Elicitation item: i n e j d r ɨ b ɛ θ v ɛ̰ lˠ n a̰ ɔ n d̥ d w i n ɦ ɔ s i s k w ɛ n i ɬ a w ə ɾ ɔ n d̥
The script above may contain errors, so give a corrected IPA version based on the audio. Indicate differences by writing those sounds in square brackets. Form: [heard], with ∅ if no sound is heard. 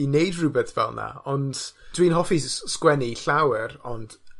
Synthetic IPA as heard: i n e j d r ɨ b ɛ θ v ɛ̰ lˠ n a̰ ɔ n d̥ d w i n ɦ ɔ [f] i s k w ɛ n i ɬ a w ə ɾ ɔ n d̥